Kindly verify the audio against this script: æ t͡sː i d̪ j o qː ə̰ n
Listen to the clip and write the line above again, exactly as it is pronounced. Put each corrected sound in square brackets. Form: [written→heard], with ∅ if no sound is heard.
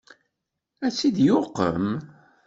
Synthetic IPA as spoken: æ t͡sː i d̪ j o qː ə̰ [n→m]